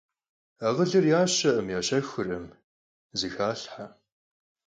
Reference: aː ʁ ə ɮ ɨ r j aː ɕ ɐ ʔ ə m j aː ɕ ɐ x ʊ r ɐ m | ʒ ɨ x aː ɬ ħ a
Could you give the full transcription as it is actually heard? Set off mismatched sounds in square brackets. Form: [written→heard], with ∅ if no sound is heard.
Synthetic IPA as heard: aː ʁ ə ɮ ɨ r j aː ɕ ɐ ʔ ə m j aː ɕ ɐ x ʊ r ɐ m | [ʒ→z] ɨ x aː ɬ ħ a